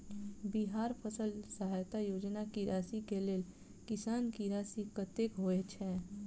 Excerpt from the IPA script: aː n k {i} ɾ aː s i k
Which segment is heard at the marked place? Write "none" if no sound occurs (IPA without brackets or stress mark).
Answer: i